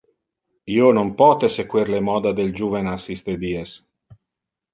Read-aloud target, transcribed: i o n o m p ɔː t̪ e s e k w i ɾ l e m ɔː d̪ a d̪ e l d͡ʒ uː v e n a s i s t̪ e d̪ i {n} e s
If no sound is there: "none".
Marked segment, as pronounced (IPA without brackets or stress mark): none